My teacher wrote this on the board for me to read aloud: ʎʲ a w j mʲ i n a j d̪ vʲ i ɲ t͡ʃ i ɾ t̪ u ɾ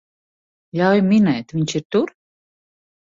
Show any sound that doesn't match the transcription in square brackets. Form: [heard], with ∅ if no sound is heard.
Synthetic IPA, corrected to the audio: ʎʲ a w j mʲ i n [ɛ] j [t̪] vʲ i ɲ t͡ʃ i ɾ t̪ u ɾ